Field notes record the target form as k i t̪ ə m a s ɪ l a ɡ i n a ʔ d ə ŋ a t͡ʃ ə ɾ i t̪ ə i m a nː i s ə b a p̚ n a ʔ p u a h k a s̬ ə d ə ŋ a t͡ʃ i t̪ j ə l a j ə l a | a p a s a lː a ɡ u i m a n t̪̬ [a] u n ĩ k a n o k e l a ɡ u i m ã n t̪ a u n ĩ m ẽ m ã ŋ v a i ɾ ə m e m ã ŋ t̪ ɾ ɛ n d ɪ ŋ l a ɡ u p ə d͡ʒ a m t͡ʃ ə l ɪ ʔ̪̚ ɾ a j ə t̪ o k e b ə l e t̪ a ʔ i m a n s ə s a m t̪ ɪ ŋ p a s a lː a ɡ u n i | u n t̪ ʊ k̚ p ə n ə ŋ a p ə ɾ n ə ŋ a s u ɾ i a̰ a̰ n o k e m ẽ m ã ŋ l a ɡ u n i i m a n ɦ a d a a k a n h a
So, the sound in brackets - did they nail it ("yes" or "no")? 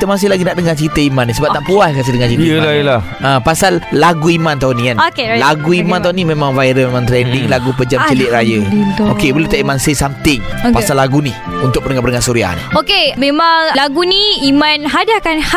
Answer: yes